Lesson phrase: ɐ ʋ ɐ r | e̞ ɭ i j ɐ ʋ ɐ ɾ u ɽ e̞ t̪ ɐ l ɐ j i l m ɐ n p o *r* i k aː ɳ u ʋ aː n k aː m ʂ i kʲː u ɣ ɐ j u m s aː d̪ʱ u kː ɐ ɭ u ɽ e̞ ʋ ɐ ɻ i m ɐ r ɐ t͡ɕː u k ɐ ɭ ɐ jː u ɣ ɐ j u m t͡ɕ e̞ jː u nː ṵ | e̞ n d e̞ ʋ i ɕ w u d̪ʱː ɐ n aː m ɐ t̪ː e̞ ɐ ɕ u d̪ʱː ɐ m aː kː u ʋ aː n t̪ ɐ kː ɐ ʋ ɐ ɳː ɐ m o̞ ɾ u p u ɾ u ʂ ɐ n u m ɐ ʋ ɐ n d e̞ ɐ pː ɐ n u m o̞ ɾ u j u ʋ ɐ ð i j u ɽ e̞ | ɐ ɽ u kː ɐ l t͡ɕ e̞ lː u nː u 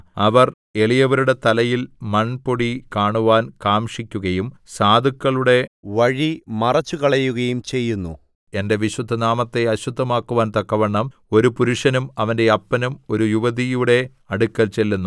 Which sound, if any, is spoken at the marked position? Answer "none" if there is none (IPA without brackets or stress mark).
ɽ